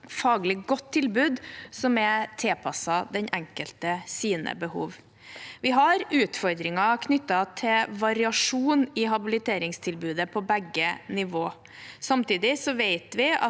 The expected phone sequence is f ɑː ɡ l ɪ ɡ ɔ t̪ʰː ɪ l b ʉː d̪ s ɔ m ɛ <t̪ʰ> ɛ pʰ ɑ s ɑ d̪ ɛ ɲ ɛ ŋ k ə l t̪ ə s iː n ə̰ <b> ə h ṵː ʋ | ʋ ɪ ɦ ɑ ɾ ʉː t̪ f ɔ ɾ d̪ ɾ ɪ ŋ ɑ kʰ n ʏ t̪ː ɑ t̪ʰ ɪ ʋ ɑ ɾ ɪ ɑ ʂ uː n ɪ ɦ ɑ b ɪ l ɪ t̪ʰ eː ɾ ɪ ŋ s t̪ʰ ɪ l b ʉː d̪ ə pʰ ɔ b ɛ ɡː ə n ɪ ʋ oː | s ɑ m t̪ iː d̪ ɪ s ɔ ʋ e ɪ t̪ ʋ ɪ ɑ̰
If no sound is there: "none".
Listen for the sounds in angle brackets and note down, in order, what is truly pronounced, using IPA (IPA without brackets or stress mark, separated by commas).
t̪ʰ, b